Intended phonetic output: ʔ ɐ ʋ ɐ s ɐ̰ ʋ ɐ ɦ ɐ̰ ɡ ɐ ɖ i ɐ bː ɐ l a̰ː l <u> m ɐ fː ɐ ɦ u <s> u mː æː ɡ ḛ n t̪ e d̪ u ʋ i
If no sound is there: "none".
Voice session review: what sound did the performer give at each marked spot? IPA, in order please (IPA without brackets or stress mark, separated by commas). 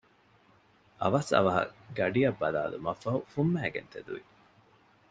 u, f